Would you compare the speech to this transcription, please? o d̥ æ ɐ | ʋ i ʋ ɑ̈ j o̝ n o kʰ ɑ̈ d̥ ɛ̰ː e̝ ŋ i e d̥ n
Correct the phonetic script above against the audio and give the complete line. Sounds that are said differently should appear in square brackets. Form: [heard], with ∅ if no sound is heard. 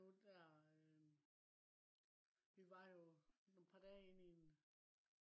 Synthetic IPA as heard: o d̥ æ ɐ | ʋ i ʋ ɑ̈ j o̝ n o [pʰ] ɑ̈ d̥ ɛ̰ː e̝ [n] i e [∅] n